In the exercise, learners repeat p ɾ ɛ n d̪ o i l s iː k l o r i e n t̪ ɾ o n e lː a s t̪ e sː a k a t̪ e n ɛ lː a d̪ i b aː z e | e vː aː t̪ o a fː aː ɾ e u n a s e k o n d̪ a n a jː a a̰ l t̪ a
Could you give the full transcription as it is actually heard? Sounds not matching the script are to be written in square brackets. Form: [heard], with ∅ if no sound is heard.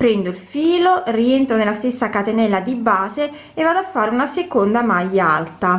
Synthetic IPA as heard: p ɾ ɛ n d̪ o i l [f] iː [∅] l o r i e n t̪ ɾ o n e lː a s t̪ e sː a k a t̪ e n ɛ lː a d̪ i b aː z e | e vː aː [d̪] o a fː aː ɾ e u n a s e k o n d̪ a [m] a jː a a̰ l t̪ a

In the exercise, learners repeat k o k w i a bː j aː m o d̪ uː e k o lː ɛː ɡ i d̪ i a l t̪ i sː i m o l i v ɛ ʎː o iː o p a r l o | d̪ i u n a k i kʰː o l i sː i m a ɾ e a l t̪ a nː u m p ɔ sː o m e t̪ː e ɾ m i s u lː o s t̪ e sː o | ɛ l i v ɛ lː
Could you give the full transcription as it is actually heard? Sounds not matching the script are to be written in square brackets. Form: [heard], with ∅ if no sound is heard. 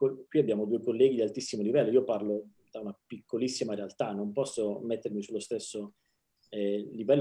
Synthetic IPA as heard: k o k w i a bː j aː m o d̪ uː e k o lː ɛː ɡ i d̪ i a l t̪ i sː i m o l i v ɛ [lː] o iː o p a r l o | d̪ [a] u n a [p] i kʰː o l i sː i m a ɾ e a l t̪ a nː [o] m p ɔ sː o m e t̪ː e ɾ m i s u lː o s t̪ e sː o | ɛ l i v ɛ lː

